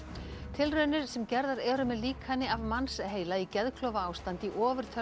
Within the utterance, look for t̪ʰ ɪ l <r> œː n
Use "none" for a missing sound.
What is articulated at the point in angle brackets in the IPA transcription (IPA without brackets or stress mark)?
r